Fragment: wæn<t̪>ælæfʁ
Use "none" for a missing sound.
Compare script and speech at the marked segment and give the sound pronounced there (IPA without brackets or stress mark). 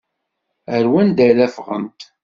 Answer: d̪